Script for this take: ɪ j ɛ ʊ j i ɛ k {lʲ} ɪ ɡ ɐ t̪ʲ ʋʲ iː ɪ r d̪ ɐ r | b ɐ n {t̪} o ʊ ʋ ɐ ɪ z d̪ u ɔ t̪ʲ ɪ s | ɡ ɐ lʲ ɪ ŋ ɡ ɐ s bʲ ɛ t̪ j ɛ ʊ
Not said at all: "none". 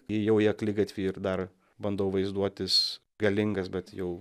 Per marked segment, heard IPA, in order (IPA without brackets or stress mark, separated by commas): lʲ, d̪